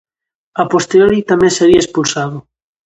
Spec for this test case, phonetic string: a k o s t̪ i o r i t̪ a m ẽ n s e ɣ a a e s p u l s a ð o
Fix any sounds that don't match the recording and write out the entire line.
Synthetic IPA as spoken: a p o s t̪ e o ɾ i t̪ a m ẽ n s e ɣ i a e s p u l s a ð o